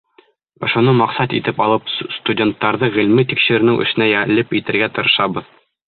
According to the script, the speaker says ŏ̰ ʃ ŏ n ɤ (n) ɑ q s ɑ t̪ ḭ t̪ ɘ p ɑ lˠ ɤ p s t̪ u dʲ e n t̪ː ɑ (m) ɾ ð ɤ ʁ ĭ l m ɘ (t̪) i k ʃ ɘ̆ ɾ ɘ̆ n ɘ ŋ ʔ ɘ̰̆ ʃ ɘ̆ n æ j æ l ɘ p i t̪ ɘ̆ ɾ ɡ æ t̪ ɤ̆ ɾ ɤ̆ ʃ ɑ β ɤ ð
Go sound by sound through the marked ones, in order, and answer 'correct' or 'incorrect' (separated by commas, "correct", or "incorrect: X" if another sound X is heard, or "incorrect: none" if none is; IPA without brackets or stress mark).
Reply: incorrect: m, incorrect: none, correct